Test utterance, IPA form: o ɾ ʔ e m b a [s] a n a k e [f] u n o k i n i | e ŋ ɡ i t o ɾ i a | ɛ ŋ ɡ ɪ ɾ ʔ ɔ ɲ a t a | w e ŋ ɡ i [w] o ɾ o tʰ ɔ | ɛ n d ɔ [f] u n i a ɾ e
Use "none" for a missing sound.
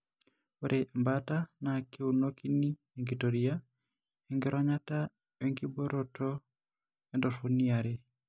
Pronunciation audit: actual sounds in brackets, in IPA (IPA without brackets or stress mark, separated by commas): t, none, b, f